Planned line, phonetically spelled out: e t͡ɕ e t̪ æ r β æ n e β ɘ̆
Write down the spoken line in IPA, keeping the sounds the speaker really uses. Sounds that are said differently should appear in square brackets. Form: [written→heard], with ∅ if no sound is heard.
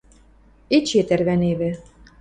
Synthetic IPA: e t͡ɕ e t̪ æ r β æ n e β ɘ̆